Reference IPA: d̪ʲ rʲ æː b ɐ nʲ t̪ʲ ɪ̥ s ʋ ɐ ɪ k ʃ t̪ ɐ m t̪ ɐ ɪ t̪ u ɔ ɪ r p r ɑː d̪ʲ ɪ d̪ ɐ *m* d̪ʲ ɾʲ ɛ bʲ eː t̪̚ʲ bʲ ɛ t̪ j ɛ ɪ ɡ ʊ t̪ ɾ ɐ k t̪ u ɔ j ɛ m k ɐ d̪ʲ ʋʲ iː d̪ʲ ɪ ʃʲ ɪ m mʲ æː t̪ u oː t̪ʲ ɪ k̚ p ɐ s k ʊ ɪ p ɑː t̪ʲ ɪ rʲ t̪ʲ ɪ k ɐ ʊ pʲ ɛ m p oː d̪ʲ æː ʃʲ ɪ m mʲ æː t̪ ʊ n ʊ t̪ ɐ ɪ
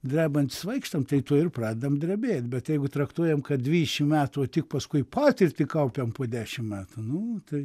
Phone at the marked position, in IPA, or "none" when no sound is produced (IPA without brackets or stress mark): m